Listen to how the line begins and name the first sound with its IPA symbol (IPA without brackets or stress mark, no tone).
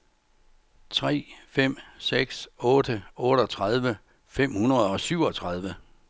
t͡sʰ